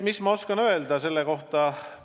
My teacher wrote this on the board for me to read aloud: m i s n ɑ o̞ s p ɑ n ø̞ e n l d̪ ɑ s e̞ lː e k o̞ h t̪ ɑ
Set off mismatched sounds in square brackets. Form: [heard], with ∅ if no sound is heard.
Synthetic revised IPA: m i s [m] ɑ o̞ s [k] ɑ n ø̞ e [∅] l d̪ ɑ s e̞ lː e k o̞ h t̪ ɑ